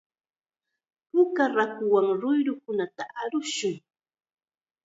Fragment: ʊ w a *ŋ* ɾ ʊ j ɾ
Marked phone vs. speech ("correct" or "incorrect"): correct